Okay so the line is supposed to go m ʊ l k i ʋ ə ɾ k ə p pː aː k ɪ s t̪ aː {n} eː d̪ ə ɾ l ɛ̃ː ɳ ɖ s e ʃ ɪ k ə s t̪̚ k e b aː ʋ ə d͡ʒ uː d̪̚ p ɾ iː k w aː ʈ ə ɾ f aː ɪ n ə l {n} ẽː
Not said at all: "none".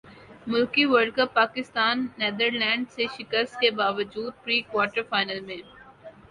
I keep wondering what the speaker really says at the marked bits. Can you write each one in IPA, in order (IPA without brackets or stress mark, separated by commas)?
nː, m